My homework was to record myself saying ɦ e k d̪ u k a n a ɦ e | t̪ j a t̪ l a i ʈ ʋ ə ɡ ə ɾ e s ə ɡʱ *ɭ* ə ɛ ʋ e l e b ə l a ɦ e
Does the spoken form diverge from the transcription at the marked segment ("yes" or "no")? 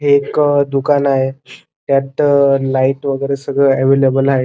no